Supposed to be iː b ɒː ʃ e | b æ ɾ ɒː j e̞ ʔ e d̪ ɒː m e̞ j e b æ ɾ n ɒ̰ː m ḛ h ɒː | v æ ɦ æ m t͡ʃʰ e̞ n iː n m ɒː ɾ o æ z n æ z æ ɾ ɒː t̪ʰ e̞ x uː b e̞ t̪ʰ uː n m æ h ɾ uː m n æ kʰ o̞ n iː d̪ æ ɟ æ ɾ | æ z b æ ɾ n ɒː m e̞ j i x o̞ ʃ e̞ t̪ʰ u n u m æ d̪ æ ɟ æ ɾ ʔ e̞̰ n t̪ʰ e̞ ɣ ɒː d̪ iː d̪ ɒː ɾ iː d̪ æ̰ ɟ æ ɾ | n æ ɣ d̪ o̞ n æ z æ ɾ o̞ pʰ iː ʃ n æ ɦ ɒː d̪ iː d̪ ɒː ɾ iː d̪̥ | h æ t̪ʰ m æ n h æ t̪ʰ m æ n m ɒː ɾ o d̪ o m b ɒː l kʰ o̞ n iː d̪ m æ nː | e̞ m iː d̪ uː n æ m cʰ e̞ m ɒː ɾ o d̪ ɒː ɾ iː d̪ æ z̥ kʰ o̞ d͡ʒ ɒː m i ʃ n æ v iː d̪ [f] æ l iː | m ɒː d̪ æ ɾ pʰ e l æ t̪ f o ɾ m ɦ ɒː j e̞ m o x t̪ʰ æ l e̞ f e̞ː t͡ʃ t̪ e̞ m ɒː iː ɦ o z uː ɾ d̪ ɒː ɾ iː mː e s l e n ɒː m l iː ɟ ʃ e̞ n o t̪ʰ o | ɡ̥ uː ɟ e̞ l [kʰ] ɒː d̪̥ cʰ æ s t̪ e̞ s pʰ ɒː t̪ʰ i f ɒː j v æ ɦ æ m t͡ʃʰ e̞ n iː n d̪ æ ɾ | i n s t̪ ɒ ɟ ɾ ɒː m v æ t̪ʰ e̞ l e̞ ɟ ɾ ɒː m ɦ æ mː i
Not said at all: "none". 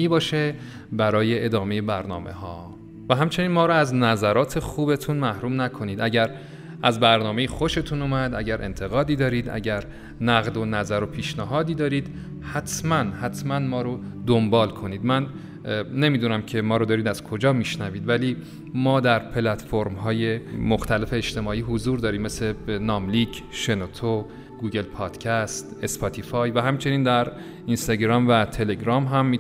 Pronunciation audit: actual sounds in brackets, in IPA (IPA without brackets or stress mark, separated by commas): v, pʰ